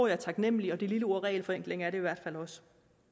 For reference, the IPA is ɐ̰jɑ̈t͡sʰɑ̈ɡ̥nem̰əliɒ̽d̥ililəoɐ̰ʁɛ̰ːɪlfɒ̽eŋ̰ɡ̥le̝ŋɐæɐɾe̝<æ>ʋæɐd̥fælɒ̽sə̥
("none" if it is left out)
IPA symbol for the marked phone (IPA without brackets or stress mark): i